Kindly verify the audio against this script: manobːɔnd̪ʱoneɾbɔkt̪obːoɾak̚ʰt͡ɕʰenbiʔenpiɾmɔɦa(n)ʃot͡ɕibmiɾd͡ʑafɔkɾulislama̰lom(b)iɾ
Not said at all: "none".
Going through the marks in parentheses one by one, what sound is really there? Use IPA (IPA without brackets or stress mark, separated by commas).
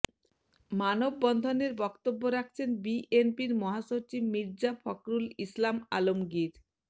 none, ɡ